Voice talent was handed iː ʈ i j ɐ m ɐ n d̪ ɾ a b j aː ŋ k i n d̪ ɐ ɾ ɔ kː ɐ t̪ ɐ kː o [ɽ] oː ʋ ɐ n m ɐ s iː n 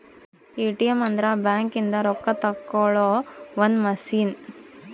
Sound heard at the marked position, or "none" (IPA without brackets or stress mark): ɭ